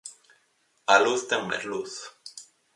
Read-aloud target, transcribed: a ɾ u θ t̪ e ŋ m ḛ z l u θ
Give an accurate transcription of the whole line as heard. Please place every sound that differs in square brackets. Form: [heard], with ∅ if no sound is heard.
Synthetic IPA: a [l] u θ t̪ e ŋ m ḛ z l u θ